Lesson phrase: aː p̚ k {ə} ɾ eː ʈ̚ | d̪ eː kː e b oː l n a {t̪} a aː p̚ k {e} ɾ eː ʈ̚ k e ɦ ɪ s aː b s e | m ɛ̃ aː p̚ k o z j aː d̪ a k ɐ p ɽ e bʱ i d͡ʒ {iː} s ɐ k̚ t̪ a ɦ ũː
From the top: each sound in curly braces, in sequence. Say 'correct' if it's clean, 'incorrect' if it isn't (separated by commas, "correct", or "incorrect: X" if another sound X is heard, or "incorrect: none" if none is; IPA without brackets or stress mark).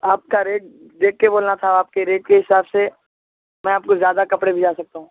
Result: incorrect: a, incorrect: t̪ʰ, correct, incorrect: aː